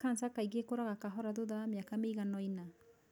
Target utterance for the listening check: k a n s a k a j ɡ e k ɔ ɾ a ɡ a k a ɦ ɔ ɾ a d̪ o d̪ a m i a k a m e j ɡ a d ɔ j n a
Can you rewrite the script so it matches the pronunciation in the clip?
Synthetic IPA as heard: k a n s a k a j ɡ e k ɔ ɾ a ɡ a k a ɦ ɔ ɾ a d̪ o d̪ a m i a k a m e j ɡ a n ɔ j n a